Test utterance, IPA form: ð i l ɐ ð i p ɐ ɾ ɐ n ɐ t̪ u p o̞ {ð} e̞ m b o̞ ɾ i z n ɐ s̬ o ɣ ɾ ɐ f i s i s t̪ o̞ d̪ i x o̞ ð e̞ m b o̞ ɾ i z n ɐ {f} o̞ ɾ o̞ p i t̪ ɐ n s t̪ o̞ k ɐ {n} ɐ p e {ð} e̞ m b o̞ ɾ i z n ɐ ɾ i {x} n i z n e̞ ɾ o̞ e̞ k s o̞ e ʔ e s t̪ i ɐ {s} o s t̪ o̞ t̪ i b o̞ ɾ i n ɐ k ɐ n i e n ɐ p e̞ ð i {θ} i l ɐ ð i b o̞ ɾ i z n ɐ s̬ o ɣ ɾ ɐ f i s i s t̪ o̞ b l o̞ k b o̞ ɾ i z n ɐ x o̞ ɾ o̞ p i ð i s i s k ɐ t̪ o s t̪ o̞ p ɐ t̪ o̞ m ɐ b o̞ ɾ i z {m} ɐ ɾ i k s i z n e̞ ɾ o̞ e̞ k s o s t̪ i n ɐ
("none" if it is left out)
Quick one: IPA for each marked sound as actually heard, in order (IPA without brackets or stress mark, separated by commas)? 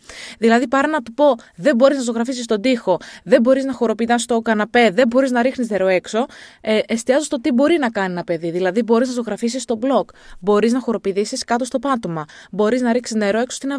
ð, x, n, ð, x, z, ð, n